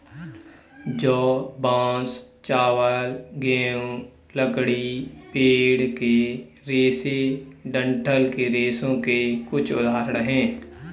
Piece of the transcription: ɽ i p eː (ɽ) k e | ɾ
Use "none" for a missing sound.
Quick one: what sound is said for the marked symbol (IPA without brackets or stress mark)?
ɽ